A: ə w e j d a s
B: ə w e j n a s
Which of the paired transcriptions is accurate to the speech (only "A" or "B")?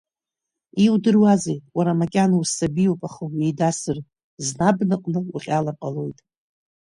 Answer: A